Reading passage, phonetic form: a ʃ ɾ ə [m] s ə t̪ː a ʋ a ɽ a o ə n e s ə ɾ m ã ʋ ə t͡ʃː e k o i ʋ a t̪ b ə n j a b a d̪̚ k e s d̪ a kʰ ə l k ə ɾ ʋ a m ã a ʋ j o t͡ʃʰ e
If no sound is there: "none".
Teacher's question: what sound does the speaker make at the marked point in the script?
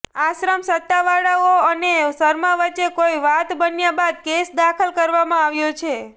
m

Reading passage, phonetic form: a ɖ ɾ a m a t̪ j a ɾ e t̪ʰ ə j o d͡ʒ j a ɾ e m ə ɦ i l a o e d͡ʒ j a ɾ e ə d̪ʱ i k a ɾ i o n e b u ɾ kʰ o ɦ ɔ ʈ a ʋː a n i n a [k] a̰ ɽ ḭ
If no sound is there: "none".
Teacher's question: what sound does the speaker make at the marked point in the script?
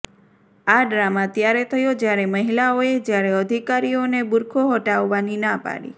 p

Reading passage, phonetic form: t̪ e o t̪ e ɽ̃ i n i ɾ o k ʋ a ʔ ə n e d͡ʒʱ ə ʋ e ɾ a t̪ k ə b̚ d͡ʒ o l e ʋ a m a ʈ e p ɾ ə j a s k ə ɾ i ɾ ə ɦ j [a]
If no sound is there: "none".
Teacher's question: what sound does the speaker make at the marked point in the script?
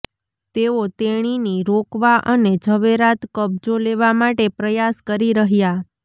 a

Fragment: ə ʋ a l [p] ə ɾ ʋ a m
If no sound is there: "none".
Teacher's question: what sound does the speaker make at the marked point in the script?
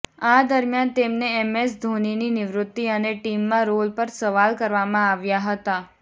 k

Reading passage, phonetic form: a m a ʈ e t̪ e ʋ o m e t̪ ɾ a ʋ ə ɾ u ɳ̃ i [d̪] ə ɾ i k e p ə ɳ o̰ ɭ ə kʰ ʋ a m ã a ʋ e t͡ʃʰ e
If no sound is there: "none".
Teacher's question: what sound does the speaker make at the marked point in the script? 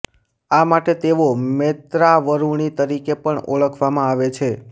t̪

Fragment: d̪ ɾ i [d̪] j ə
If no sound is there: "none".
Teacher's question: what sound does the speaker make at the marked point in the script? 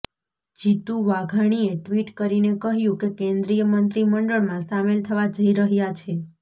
none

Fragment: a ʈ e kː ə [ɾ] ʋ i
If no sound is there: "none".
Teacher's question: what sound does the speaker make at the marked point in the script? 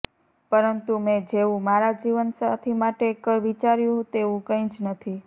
ɾ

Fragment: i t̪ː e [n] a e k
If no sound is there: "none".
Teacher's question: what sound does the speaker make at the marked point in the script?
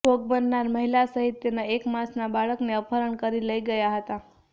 n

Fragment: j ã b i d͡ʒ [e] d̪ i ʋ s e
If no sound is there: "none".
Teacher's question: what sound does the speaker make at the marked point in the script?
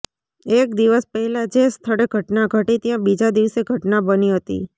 a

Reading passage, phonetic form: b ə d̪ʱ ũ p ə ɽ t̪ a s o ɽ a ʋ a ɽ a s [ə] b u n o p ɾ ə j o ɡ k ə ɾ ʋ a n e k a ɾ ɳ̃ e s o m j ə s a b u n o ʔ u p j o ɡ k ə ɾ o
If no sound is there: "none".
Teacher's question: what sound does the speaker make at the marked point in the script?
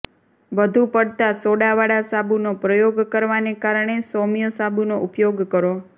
a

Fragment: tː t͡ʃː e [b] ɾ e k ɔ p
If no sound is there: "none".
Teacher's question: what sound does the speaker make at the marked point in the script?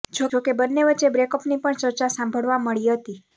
b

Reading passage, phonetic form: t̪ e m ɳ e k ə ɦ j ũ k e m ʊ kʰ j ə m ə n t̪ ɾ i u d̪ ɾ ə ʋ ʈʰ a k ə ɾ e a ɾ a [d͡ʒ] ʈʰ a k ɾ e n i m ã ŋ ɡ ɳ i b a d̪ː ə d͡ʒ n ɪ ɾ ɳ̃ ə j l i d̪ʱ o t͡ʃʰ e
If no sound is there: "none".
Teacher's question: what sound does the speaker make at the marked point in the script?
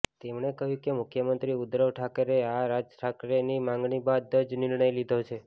d͡ʒ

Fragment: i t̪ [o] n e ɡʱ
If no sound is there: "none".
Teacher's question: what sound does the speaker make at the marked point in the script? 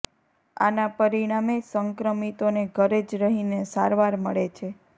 o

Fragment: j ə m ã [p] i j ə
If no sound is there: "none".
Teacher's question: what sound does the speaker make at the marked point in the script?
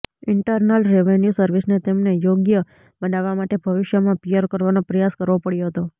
p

